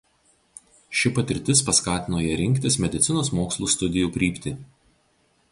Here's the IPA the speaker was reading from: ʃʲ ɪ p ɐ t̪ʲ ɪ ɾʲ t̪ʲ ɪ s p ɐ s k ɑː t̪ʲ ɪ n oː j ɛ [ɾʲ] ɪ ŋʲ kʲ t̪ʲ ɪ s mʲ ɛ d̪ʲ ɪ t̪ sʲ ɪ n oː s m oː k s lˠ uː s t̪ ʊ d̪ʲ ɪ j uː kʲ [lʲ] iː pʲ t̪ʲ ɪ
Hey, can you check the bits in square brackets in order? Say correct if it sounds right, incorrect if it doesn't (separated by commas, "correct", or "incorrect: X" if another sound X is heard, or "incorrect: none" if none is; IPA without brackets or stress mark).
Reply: correct, incorrect: ɾʲ